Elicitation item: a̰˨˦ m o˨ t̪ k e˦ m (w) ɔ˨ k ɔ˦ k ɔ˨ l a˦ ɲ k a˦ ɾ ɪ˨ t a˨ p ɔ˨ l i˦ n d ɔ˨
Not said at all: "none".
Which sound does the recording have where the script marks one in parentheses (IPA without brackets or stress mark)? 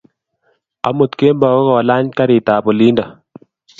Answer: b